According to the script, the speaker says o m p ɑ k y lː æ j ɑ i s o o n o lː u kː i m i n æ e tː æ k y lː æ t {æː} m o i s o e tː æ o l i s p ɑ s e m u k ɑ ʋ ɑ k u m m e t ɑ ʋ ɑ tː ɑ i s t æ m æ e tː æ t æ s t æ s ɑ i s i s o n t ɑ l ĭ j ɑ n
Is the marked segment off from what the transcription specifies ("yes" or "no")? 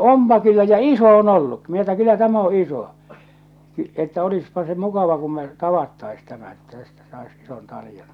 yes